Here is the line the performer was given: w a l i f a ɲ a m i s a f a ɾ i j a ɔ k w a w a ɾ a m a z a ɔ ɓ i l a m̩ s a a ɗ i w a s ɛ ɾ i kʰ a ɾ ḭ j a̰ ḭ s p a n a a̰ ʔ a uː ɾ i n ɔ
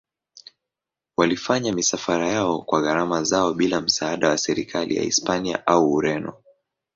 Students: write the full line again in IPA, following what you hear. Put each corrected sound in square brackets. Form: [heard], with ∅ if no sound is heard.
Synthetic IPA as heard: w a l i f a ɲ a m i s a f a ɾ [a] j a ɔ k w a [ɣ] a ɾ a m a z a ɔ ɓ i l a m̩ s a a ɗ [a] w a s ɛ ɾ i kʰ a [l] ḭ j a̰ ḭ s p a n [i] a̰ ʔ a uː ɾ [ɛ] n ɔ